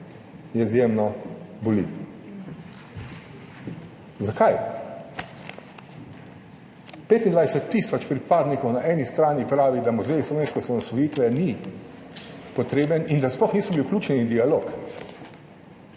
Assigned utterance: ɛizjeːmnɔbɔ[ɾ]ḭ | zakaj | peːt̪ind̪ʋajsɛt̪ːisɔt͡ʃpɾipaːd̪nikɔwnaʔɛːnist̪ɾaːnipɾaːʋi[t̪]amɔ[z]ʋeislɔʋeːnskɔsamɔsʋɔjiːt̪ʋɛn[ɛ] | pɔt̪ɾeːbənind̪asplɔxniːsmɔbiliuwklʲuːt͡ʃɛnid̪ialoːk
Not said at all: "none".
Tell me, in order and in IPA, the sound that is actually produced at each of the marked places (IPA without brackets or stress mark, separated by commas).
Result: l, d̪, z, i